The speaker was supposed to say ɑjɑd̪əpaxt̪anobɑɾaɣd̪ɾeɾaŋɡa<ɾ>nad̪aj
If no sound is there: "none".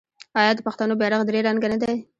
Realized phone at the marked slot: none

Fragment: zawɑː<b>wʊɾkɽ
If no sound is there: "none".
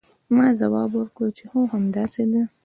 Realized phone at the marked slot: b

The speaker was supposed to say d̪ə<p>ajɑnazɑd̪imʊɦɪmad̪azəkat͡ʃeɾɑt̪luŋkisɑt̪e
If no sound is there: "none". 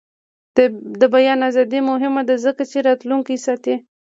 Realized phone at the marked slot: b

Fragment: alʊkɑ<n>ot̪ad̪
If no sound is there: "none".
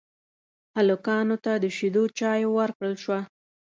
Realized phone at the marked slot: n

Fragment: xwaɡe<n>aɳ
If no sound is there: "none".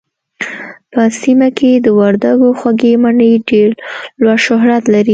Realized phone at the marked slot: m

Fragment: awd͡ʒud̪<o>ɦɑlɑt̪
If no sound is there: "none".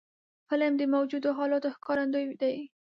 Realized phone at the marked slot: o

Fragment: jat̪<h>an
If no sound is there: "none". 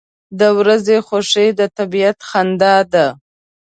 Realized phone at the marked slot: x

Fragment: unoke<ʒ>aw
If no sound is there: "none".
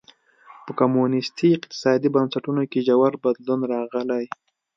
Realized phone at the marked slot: ʒ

